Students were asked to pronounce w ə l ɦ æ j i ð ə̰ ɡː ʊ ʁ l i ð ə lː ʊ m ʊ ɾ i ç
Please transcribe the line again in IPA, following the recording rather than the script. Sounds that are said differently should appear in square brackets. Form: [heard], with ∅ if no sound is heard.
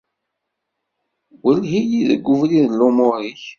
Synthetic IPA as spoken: w ə l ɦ [i] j i ð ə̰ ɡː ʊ [v] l i ð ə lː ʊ m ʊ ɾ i ç